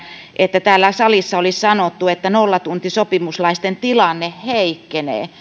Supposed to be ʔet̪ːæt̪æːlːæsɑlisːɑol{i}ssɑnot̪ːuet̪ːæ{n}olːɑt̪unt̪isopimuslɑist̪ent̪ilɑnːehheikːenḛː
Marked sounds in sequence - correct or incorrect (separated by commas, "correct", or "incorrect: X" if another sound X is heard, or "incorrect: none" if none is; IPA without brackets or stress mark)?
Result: correct, correct